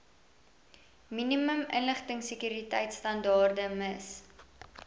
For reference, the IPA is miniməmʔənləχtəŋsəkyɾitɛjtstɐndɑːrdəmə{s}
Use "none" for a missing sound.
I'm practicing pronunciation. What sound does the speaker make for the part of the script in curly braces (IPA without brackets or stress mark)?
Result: s